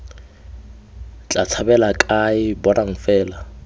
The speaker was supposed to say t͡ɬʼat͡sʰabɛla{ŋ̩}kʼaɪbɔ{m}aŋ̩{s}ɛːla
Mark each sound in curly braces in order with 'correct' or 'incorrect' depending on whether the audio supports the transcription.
incorrect: none, incorrect: n, incorrect: f

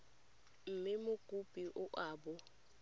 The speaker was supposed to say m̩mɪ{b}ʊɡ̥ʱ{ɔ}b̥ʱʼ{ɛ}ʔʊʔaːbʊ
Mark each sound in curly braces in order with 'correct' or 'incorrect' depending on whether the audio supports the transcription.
incorrect: m, incorrect: u, incorrect: i

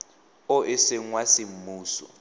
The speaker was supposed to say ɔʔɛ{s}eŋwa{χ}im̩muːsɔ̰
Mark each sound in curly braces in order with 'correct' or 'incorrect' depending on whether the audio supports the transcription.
correct, incorrect: s

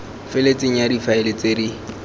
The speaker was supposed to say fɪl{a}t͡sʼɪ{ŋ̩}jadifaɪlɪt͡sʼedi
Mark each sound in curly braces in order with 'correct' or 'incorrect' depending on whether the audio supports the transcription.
incorrect: e, correct

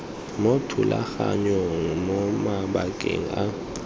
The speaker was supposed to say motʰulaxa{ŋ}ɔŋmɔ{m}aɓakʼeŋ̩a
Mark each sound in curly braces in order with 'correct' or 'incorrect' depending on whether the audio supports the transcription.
incorrect: ɲ, correct

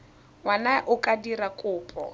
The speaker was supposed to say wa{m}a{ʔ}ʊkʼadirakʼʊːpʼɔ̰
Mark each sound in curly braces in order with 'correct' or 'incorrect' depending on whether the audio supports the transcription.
incorrect: n, correct

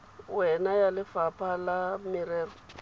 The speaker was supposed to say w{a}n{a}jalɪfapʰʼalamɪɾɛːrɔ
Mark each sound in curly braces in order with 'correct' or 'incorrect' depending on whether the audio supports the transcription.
incorrect: ɛ, correct

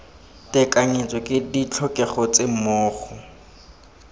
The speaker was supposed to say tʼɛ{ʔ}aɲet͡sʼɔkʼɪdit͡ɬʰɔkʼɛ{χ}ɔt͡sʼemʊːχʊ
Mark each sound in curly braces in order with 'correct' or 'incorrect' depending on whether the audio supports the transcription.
incorrect: k, correct

